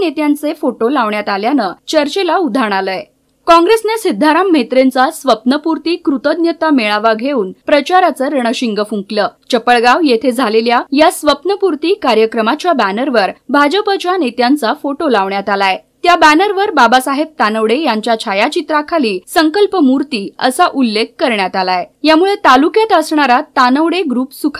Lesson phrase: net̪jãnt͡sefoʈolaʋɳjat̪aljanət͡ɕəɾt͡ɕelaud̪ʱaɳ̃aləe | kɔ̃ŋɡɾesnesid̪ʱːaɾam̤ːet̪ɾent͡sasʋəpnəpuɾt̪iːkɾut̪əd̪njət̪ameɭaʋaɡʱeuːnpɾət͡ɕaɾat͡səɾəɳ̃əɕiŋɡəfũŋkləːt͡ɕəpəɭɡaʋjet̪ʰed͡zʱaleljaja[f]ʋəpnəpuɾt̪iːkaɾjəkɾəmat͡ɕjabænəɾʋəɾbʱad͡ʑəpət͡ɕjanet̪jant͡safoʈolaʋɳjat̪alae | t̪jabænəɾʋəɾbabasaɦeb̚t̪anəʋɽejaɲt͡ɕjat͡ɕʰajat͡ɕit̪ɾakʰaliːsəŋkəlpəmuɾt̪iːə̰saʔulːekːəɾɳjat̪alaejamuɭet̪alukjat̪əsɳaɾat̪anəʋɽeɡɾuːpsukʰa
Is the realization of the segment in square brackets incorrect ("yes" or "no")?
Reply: yes